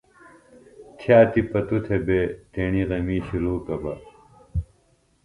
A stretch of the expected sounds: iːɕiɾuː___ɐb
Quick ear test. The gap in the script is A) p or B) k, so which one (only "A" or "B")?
B